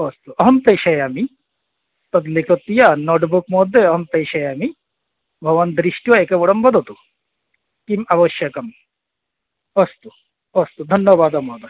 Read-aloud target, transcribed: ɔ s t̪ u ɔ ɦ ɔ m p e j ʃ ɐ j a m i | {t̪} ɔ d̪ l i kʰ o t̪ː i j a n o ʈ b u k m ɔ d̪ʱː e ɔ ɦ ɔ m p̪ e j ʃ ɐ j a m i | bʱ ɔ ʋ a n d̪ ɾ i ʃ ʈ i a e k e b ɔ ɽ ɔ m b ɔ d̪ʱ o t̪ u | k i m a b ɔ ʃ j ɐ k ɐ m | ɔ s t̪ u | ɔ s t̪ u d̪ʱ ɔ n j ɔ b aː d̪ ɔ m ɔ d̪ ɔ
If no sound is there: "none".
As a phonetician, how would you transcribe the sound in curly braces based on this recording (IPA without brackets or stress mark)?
t̪